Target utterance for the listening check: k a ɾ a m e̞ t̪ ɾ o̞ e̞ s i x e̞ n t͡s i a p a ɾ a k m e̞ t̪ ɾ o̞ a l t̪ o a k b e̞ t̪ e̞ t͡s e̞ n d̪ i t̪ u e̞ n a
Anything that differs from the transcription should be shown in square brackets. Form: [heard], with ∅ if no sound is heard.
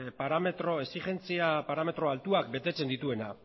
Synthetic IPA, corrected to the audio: [p] a ɾ a m e̞ t̪ ɾ o̞ e̞ s i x e̞ n t͡s i a p a ɾ a [∅] m e̞ t̪ ɾ o̞ a l t̪ [u] a k b e̞ t̪ e̞ t͡s e̞ n d̪ i t̪ u e̞ n a